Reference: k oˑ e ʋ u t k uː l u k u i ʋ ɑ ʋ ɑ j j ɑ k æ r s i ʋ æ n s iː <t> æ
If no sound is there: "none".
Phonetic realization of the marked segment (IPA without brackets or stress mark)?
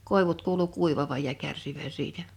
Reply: t